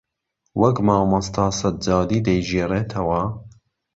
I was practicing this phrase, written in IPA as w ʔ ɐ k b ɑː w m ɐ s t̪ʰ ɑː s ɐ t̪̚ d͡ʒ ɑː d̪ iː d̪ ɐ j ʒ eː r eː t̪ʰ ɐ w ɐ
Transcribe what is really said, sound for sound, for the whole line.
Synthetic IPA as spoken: w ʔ ɐ k m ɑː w m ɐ s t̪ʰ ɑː s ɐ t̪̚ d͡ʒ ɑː d̪ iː d̪ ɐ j ʒ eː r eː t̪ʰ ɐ w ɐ